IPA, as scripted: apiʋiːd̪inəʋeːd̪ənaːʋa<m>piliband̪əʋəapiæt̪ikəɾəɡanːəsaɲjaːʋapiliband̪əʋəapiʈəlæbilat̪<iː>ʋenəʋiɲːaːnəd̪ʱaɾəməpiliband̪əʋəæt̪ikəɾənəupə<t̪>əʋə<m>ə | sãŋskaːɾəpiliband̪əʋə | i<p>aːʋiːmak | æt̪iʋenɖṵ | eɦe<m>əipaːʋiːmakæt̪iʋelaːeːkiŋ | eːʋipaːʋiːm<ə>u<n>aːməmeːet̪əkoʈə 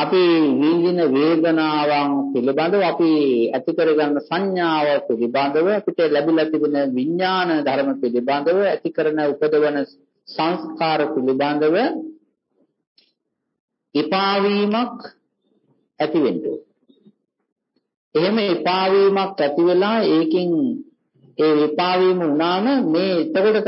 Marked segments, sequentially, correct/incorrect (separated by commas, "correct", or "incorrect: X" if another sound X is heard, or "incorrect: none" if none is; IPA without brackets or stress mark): incorrect: ŋ, incorrect: i, incorrect: d̪, incorrect: n, correct, correct, correct, correct